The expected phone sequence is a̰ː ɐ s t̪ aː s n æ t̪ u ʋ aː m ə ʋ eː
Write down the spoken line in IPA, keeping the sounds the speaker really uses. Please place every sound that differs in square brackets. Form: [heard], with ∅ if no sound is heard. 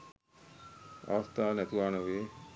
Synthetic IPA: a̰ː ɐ s t̪ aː [∅] n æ t̪ u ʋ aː [n] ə ʋ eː